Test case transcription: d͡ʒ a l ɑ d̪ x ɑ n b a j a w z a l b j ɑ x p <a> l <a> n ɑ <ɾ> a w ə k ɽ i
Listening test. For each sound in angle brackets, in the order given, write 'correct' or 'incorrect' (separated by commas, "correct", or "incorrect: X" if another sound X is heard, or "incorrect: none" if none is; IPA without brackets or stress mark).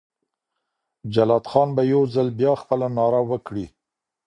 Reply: incorrect: ə, correct, correct